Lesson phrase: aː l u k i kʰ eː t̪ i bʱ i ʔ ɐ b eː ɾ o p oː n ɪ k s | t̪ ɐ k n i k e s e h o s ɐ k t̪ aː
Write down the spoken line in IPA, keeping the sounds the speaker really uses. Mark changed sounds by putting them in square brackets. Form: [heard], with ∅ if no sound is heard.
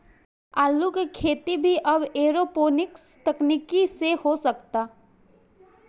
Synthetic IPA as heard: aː l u k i kʰ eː t̪ i bʱ i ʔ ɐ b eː ɾ o p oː n ɪ k s | t̪ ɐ k n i k [i] s e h o s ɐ k t̪ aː